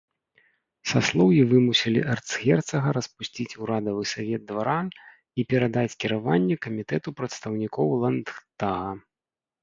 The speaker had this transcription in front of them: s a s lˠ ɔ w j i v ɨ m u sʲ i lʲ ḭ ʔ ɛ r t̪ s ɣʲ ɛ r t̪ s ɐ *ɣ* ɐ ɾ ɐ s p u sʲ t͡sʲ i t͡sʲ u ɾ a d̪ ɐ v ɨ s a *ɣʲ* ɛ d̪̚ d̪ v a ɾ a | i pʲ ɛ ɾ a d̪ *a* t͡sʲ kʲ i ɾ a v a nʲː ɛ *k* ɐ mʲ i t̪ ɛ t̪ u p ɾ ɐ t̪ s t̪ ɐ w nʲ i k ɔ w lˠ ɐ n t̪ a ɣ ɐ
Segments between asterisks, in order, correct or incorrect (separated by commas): correct, incorrect, correct, correct